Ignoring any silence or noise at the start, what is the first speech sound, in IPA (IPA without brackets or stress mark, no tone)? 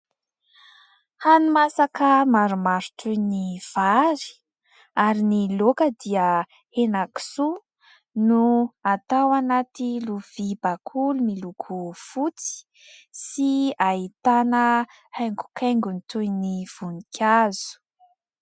h